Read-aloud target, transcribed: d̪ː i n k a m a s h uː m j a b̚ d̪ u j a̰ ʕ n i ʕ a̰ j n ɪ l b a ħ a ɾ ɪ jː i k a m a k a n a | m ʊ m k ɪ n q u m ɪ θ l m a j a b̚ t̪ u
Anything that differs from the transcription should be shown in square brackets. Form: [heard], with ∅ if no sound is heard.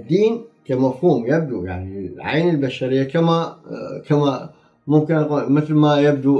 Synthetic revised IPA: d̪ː [iː] n k a m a [f] h uː m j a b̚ d̪ u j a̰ ʕ n i ʕ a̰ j n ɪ l b a [ʃ] a ɾ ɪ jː [a] k a m a k a [m] a | m ʊ m k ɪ n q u m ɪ θ l m a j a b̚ [d̪] u